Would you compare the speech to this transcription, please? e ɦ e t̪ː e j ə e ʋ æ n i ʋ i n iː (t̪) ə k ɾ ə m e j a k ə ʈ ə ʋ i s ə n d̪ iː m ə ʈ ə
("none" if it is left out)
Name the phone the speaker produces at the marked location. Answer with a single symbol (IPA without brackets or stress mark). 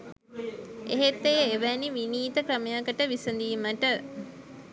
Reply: t̪